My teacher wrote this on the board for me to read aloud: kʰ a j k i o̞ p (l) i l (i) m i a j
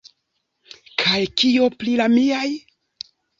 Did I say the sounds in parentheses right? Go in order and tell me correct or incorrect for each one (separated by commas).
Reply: correct, incorrect